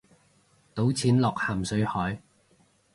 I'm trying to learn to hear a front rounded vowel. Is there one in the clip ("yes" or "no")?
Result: no